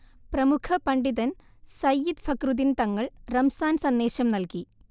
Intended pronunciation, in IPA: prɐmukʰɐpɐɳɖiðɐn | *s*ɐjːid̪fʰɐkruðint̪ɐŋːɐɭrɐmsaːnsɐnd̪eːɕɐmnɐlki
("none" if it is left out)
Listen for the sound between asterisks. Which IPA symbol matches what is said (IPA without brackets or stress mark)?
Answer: s